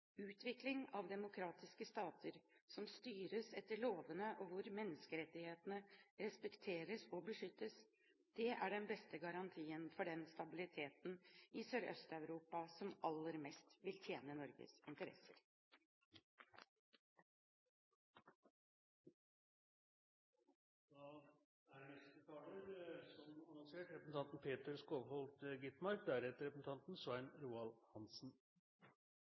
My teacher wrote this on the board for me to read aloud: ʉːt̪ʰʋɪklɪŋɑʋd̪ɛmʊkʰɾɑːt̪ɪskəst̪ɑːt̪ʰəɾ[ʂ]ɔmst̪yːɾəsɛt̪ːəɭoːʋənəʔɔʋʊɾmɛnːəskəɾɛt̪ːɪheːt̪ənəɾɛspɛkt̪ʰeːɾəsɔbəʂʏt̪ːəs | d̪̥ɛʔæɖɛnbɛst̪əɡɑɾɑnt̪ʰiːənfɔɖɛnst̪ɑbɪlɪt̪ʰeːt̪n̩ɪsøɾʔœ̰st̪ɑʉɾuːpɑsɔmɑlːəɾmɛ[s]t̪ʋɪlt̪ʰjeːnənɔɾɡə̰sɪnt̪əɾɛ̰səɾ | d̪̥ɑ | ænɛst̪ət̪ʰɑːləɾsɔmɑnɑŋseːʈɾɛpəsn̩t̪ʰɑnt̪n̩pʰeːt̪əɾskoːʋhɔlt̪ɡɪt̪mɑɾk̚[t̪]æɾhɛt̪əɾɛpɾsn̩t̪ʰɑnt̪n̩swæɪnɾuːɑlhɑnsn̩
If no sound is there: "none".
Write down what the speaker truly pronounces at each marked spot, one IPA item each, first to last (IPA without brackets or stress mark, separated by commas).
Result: s, s, d̪